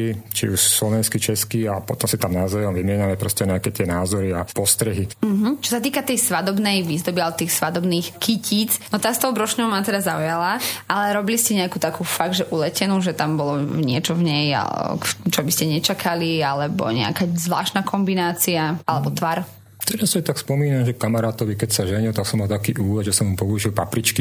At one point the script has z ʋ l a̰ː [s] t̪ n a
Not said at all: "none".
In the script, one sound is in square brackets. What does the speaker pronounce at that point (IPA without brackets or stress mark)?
ʃ